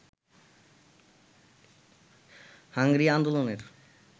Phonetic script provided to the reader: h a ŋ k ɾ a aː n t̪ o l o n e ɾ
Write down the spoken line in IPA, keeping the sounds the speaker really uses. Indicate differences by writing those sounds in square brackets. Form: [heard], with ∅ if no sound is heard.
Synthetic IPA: h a ŋ [ɡ] ɾ [i] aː n [d̪] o l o n e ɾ

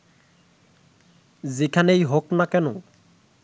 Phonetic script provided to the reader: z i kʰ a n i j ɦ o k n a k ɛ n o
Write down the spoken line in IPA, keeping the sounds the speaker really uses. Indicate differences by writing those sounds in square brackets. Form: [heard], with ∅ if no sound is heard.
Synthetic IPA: z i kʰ a n [e] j ɦ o k n a k ɛ n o

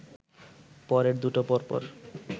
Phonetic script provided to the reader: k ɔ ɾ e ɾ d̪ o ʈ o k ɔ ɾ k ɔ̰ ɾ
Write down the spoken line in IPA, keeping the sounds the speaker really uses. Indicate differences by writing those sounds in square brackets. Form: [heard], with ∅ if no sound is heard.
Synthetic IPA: [p] ɔ ɾ e ɾ d̪ [u] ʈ o [p] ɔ ɾ [p] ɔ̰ ɾ

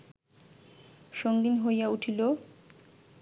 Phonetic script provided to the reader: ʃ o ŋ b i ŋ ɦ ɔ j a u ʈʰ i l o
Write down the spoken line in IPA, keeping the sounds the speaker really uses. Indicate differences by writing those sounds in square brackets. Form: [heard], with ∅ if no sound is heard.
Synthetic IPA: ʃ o ŋ [ɡ] i [n] ɦ [o] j a u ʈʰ i l o

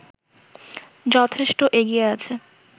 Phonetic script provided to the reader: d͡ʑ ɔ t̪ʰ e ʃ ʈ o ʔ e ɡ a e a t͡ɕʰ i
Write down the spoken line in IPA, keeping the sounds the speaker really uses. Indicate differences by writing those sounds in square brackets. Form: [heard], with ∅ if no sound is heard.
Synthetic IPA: d͡ʑ ɔ t̪ʰ e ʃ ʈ o ʔ e ɡ [i] e a t͡ɕʰ [e]

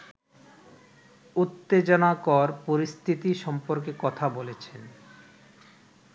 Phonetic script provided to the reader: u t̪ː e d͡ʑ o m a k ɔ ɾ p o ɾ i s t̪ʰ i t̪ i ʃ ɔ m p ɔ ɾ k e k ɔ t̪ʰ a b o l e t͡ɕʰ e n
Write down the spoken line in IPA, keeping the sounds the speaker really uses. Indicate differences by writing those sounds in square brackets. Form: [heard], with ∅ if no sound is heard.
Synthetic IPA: u t̪ː e d͡ʑ o [n] a k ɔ ɾ p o ɾ i s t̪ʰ i t̪ i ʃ ɔ m p [o] ɾ k e k ɔ t̪ʰ a b o l e t͡ɕʰ e n

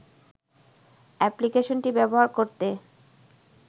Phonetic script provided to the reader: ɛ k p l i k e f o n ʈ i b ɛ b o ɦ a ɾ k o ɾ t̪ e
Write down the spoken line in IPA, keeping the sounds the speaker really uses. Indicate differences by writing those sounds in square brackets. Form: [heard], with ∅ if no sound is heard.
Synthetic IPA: ɛ [∅] p l i k e [ʃ] o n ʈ i b ɛ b o ɦ a ɾ k o ɾ t̪ e

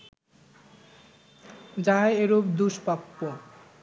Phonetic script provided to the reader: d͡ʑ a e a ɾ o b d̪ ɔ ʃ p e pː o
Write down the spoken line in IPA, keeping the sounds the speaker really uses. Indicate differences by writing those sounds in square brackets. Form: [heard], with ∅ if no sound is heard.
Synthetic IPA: d͡ʑ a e [e] ɾ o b d̪ [u] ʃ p [a] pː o

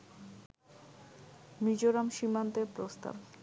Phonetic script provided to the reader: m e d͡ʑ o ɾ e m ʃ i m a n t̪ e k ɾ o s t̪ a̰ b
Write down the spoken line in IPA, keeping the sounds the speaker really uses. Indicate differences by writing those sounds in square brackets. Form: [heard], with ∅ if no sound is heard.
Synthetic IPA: m [i] d͡ʑ o ɾ [a] m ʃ i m a n t̪ e [p] ɾ o s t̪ a̰ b

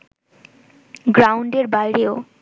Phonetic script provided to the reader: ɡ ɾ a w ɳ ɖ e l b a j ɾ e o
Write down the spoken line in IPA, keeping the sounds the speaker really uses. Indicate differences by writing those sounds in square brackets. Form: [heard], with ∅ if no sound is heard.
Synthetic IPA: ɡ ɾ a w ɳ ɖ e [ɾ] b a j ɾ e o

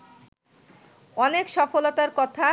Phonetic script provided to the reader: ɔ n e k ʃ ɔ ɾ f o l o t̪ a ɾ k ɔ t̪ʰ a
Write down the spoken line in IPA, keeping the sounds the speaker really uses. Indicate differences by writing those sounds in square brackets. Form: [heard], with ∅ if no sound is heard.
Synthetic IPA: ɔ n e k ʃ ɔ [∅] f o l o t̪ a ɾ k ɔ t̪ʰ a

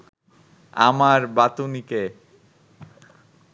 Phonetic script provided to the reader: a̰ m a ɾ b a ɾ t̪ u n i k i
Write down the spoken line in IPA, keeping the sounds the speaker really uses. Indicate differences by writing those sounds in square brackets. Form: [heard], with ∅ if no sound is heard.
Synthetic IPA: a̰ m a ɾ b a [∅] t̪ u n i k [e]

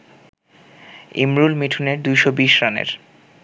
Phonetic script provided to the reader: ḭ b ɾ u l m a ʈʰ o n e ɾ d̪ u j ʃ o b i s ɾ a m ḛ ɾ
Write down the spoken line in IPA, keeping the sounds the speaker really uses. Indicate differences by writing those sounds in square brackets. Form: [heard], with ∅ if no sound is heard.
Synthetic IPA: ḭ [m] ɾ u l m [i] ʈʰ [u] n e ɾ d̪ u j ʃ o b i [ʃ] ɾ a [n] ḛ ɾ

